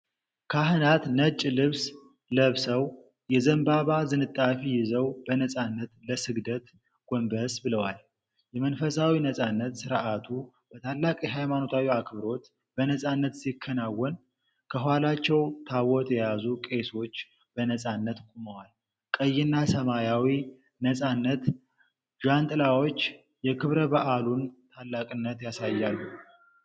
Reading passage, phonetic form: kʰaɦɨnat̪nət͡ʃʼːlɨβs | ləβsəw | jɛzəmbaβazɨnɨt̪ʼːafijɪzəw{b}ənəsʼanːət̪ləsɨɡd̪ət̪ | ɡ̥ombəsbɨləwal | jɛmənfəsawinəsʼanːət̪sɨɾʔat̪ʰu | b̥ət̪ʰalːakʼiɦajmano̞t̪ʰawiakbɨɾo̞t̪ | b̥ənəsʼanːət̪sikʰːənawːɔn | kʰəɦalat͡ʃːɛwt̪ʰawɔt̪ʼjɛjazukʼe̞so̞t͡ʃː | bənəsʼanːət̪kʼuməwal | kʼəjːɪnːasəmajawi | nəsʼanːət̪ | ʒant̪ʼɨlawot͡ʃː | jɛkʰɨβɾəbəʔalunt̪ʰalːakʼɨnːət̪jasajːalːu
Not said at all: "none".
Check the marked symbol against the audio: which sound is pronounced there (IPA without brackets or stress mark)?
b